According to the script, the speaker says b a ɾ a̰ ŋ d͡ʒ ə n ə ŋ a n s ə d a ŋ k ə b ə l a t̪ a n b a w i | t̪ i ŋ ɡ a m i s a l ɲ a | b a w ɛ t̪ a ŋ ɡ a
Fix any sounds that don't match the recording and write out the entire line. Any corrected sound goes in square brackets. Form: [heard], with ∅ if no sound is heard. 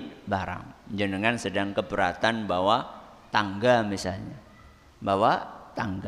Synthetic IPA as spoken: b a ɾ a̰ ŋ d͡ʒ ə n ə ŋ a n s ə d a ŋ k ə b ə [ɾ] a t̪ a n b a w [a] | t̪ [a] ŋ ɡ a m i s a l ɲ a | b a w [a] t̪ a ŋ ɡ a